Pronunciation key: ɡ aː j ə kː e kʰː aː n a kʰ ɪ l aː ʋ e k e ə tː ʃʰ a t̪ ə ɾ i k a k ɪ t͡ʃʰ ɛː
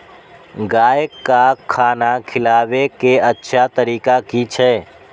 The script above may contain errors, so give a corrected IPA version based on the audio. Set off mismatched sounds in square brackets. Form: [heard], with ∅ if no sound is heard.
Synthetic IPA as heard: ɡ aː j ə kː [a] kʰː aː n a kʰ ɪ l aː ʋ e k e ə tː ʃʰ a t̪ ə ɾ [iː] k a k [i] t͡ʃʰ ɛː